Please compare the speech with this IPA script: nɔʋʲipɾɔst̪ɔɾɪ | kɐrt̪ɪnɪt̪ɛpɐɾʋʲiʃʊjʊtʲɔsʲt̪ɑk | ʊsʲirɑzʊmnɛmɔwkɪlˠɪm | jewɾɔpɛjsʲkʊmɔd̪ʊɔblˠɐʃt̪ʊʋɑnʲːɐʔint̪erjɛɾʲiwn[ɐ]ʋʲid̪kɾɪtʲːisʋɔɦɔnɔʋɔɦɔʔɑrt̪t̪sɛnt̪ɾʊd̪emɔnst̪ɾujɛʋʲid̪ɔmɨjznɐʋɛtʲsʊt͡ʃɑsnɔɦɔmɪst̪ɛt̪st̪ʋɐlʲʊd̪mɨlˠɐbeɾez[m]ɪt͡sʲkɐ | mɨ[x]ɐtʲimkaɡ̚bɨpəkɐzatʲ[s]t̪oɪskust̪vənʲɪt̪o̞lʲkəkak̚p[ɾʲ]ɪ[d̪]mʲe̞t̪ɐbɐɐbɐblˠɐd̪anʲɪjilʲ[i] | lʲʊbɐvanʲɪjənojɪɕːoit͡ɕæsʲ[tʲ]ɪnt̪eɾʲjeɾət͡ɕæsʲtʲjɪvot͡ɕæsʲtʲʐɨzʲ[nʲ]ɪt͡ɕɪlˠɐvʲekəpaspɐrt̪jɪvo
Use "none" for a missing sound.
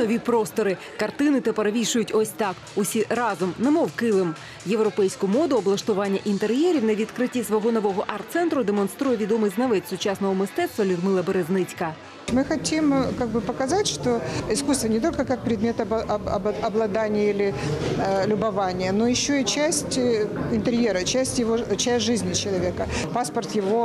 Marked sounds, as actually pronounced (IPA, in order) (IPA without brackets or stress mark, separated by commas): ɐ, n, x, ʂ, ɾʲ, d̪, ɪ, tʲ, nʲ